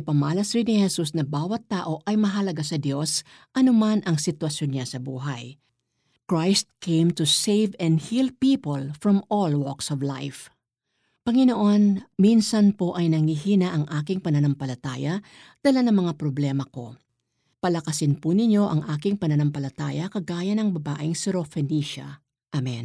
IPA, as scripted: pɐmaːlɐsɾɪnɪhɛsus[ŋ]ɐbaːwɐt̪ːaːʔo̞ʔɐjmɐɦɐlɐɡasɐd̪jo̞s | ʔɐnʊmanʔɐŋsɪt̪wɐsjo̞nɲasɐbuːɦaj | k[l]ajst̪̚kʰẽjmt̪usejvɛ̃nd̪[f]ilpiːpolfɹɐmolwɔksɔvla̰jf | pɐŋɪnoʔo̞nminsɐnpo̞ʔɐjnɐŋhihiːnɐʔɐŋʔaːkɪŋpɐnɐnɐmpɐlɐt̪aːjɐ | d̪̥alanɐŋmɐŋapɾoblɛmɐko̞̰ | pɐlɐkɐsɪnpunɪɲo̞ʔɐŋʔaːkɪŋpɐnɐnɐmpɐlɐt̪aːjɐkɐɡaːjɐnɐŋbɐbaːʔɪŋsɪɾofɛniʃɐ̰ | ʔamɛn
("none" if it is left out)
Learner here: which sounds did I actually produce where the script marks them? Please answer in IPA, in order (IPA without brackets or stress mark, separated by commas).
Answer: n, ɹ, h